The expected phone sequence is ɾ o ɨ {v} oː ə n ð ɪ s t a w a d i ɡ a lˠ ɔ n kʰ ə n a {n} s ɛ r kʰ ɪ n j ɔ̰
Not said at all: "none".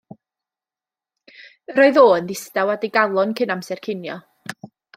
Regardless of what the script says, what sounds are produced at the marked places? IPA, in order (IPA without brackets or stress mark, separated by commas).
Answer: ð, m